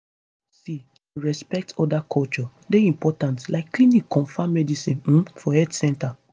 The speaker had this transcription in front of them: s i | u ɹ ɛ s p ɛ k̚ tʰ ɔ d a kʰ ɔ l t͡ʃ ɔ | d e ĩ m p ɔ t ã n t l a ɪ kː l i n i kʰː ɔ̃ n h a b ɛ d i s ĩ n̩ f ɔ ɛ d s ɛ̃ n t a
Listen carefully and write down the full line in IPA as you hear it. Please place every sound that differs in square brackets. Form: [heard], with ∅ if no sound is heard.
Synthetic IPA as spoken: s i | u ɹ ɛ s p ɛ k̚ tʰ ɔ d a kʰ ɔ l t͡ʃ ɔ | d e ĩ m p ɔ t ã n t l a ɪ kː l i n i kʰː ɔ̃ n [f] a [m] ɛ d i s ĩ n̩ f ɔ ɛ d s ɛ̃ n t a